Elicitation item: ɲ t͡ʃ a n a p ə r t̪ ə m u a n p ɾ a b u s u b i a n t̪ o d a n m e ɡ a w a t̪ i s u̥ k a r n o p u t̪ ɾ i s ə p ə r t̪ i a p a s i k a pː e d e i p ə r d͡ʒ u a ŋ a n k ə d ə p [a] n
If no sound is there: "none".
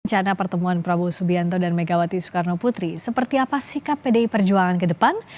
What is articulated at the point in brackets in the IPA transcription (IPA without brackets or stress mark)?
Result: a